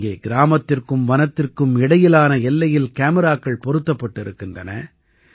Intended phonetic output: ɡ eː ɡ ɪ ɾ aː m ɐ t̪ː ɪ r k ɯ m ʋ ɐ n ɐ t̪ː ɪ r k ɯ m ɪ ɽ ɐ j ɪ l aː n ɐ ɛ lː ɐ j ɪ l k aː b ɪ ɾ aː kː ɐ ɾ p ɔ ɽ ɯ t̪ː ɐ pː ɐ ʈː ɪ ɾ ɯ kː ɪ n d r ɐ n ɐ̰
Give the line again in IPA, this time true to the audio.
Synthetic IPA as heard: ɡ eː ɡ ɪ ɾ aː m ɐ t̪ː ɪ r k ɯ m ʋ ɐ n ɐ t̪ː ɪ r k ɯ m ɪ ɽ ɐ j ɪ l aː n ɐ ɛ lː ɐ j ɪ l k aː m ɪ ɾ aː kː ɐ ɭ p ɔ ɾ ɯ t̪ː ɐ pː ɐ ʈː ɪ ɾ ɯ kː ɪ n d r ɐ n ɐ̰

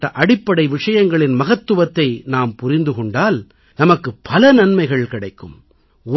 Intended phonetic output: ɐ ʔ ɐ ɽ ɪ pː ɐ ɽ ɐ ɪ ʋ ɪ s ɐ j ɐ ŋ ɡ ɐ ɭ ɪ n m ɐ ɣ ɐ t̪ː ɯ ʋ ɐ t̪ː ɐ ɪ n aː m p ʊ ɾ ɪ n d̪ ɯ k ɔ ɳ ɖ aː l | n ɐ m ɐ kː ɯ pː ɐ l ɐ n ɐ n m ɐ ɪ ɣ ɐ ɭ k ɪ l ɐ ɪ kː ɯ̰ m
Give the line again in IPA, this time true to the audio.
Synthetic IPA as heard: ɐ ʔ ɐ ɽ ɪ pː ɐ ɽ ɐ ɪ ʋ ɪ ʂ ɐ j ɐ ŋ ɡ ɐ ɭ ɪ n m ɐ ɣ ɐ t̪ː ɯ ʋ ɐ t̪ː ɐ ɪ n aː m p ʊ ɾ ɪ n d̪ ɯ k ɔ ɳ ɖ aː l | n ɐ m ɐ kː ɯ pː ɐ l ɐ n ɐ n m ɐ ɪ ɣ ɐ ɭ k ɪ ɽ ɐ ɪ kː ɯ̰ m

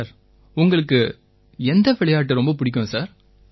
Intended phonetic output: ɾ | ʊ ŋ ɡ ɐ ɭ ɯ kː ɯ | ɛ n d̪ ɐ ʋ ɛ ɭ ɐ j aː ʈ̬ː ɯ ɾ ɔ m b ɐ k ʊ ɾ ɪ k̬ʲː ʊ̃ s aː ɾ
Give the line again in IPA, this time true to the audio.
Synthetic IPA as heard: ɾ | ʊ ŋ ɡ ɐ ɭ ɯ kː ɯ | ɛ n d̪ ɐ ʋ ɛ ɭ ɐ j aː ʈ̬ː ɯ ɾ ɔ m b ɐ p ʊ ɽ ɪ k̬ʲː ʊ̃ s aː ɾ

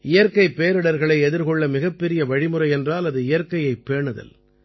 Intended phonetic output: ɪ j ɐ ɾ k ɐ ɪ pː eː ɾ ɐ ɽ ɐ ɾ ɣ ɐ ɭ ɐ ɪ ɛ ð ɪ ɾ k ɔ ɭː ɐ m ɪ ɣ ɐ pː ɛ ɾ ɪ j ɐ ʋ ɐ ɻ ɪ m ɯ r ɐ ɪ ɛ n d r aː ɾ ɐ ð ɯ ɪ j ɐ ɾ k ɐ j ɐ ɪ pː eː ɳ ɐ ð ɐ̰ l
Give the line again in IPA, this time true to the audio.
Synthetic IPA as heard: ɪ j ɐ ɾ k ɐ ɪ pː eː ɾ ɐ ɽ ɐ ɾ ɣ ɐ ɭ ɐ ɪ ɛ ð ɪ ɾ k ɔ ɭː ɐ m ɪ ɣ ɐ pː ɛ ɾ ɪ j ɐ ʋ ɐ ɻ ɪ m ɯ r ɐ ɪ ɛ n d r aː l ɐ ð ɯ ɪ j ɐ ɾ k ɐ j ɐ ɪ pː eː ɳ ɐ ð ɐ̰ l

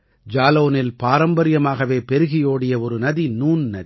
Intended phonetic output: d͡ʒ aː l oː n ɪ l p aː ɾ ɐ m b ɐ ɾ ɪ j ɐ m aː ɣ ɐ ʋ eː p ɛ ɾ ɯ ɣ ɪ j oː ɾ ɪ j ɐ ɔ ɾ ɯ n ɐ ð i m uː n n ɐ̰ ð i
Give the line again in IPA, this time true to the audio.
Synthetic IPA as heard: d͡ʒ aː l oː n ɪ l p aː ɾ ɐ m b ɐ ɾ ɪ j ɐ m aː ɣ ɐ ʋ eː p ɛ ɾ ɯ ɣ ɪ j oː ɽ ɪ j ɐ ɔ ɾ ɯ n ɐ ð i n uː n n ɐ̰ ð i

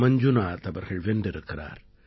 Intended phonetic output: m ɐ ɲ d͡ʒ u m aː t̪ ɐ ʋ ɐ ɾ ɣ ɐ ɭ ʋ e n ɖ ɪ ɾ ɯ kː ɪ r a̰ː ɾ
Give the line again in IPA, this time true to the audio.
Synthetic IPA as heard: m ɐ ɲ d͡ʒ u n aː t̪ ɐ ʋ ɐ ɾ ɣ ɐ ɭ ʋ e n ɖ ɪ ɾ ɯ kː ɪ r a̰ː ɾ

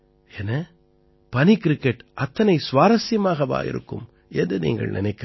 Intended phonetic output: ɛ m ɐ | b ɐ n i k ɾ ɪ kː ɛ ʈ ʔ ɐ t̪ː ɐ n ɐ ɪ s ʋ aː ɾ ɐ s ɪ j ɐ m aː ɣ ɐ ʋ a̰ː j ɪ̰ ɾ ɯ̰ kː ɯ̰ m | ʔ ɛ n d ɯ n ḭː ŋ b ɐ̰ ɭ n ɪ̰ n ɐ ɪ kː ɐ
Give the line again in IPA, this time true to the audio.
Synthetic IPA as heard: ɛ n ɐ | p ɐ n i k ɾ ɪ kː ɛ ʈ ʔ ɐ t̪ː ɐ n ɐ ɪ s ʋ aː ɾ ɐ s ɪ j ɐ m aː ɣ ɐ ʋ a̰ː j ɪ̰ ɾ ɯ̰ kː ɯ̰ m | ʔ ɛ n d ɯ n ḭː ŋ ɡ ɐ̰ ɭ n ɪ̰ n ɐ ɪ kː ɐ

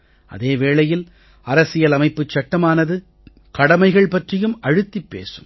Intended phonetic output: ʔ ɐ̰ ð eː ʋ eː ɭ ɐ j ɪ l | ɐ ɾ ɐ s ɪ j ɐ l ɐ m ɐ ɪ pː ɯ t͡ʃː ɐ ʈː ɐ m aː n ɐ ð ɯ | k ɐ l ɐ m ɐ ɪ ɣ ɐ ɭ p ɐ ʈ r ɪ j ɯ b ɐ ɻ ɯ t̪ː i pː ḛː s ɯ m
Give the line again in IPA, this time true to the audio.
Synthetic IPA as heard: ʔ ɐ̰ ð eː ʋ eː ɭ ɐ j ɪ l | ɐ ɾ ɐ s ɪ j ɐ l ɐ m ɐ ɪ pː ɯ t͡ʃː ɐ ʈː ɐ m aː n ɐ ð ɯ | k ɐ ɽ ɐ m ɐ ɪ ɣ ɐ ɭ p ɐ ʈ r ɪ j ɯ m ɐ ɻ ɯ t̪ː i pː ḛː s ɯ m

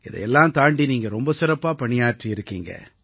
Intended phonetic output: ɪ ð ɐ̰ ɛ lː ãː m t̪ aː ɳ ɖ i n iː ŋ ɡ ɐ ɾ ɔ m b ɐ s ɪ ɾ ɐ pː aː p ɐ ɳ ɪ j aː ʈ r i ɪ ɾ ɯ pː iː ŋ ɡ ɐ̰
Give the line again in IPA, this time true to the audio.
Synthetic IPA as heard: ɪ ð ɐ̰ ɛ lː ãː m t̪ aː ɳ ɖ i n iː ŋ ɡ ɐ ɾ ɔ m b ɐ s ɪ ɾ ɐ pː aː p ɐ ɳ ɪ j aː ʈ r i ɪ ɾ ɯ kː iː ŋ ɡ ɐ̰

